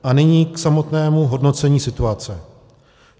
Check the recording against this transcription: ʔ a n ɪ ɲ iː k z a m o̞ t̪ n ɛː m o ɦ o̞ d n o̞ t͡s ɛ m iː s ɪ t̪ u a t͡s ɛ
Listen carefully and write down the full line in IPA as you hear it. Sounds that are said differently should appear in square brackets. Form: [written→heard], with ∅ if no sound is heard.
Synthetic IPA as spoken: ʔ a n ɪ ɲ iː k [z→s] a m o̞ t̪ n ɛː m [o→u] ɦ o̞ d n o̞ t͡s ɛ [m→ɲ] iː s ɪ t̪ u a t͡s ɛ